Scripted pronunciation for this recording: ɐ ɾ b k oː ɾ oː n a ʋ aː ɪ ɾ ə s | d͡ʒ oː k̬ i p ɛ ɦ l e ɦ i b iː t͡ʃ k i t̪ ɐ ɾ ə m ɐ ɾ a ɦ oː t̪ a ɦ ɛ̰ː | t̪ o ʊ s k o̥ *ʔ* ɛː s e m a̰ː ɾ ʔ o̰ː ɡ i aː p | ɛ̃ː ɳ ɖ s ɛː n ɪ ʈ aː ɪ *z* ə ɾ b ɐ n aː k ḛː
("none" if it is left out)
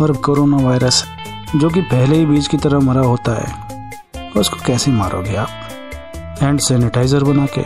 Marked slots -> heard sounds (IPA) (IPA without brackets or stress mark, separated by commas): k, z